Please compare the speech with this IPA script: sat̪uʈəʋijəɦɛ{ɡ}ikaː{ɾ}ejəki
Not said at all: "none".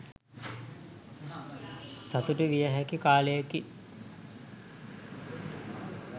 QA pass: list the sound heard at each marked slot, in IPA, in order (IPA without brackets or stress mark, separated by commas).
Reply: k, l